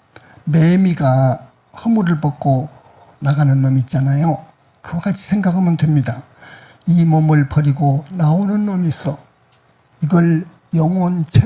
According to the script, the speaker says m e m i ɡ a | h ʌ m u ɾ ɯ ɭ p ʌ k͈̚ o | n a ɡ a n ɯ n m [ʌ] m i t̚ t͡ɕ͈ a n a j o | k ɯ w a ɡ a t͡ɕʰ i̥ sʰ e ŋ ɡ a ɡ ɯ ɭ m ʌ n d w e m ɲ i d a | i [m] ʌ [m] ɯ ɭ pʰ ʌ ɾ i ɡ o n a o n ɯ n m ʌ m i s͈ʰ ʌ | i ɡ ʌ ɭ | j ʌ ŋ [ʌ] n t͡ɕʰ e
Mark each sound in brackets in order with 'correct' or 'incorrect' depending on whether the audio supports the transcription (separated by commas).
correct, correct, correct, correct